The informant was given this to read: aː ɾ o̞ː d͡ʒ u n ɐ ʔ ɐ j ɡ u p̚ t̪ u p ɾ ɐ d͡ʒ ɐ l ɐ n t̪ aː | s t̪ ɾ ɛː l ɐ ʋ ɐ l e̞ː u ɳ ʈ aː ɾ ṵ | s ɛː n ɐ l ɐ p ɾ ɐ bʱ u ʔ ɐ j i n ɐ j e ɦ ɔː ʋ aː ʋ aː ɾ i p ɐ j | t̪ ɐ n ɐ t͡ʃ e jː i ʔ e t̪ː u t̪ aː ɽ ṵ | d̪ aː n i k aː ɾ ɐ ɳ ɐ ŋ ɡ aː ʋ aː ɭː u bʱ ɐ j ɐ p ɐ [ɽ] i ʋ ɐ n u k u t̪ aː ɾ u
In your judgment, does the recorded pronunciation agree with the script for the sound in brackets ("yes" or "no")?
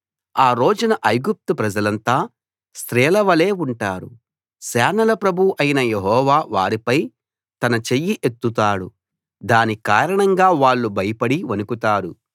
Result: yes